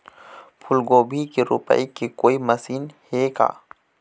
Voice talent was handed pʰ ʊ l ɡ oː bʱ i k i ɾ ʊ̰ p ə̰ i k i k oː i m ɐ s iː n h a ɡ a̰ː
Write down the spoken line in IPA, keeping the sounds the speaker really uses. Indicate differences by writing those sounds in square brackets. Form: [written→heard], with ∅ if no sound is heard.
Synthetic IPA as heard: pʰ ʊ l ɡ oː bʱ i k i ɾ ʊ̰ p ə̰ i k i k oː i m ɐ s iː n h [a→e] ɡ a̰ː